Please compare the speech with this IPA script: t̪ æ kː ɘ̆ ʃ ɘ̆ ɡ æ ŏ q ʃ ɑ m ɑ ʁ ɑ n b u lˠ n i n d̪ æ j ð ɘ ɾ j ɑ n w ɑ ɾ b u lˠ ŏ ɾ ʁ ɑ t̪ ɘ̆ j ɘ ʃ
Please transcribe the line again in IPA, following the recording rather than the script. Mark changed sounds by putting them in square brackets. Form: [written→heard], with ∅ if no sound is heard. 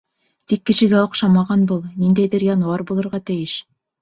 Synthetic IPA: t̪ [æ→i] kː ɘ̆ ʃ ɘ̆ ɡ æ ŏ q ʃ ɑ m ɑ ʁ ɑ n b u lˠ n i n d̪ æ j ð ɘ ɾ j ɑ n w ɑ ɾ b u lˠ [ŏ→ɤ̆] ɾ ʁ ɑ t̪ ɘ̆ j ɘ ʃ